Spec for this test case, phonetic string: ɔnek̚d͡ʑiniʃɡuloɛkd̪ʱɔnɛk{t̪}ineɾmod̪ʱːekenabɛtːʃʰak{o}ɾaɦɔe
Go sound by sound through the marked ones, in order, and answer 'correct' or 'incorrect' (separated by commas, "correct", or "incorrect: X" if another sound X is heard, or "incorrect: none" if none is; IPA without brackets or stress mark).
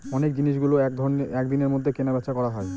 incorrect: d̪, incorrect: ɔ